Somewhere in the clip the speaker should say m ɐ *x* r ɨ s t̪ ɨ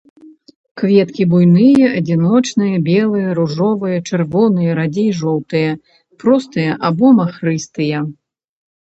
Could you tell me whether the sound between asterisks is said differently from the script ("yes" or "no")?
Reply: no